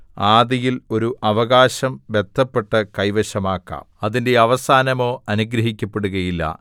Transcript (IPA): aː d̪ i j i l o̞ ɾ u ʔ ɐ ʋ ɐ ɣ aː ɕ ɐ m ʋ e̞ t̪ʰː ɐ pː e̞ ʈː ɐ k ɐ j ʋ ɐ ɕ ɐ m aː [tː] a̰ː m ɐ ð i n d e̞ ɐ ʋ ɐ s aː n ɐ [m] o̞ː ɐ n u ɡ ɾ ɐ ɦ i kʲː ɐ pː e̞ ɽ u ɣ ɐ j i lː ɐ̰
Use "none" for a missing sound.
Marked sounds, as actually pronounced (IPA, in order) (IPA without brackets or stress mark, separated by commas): kː, m